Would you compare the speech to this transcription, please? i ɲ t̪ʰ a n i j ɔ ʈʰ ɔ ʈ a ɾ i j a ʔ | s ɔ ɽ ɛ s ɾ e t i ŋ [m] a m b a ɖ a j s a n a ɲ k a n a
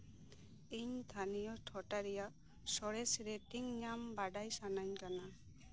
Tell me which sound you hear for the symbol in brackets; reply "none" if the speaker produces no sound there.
ɲ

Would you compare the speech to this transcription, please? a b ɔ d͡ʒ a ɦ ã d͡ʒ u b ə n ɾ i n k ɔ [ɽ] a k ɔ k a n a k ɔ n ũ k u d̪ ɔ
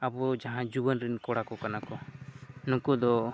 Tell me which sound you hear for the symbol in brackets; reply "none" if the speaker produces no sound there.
ɽ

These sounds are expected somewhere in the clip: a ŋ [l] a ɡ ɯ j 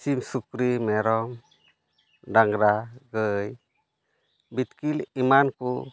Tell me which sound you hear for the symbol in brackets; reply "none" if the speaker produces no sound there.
ɾ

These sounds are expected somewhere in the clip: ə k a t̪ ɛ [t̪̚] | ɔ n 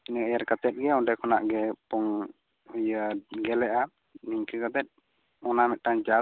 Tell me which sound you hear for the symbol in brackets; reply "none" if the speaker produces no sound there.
t̪̚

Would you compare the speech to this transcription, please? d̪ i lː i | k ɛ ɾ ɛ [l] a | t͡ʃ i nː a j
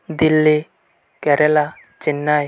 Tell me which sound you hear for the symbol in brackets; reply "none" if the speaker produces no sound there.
l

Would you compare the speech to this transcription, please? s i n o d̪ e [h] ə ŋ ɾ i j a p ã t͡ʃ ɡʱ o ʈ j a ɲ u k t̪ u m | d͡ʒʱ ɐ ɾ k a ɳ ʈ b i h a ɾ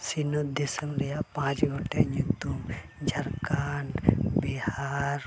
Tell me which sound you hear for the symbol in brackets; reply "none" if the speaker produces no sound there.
s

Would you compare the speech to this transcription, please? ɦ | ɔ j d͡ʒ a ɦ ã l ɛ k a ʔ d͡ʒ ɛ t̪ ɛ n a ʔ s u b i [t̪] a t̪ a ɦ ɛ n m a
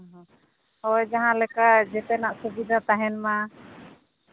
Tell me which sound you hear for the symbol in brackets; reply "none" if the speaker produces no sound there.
d̪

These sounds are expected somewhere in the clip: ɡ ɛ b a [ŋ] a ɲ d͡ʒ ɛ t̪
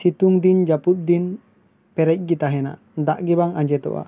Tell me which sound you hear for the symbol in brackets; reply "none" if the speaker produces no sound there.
ŋ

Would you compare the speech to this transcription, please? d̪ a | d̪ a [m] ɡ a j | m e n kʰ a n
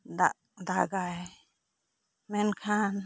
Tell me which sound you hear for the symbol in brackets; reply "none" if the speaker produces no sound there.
none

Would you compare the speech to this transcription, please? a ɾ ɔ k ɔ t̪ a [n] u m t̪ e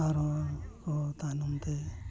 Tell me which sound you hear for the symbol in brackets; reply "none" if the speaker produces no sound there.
n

